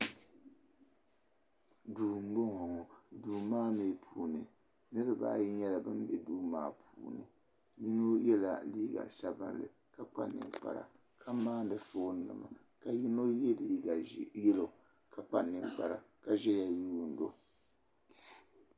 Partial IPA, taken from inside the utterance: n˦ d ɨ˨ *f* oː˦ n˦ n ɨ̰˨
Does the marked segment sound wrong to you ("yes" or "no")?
no